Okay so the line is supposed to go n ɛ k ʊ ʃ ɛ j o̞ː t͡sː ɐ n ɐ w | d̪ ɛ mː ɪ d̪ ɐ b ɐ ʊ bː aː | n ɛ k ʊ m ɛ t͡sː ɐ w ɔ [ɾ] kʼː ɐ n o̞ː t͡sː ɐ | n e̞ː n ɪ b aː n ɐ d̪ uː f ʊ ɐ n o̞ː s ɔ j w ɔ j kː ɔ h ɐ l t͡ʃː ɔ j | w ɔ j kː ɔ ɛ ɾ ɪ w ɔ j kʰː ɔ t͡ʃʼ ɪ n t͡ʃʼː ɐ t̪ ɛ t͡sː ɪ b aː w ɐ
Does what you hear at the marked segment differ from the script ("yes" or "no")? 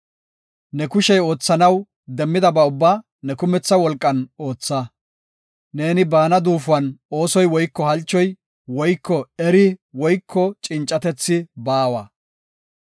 yes